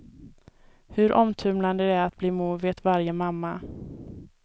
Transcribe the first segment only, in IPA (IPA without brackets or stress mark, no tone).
h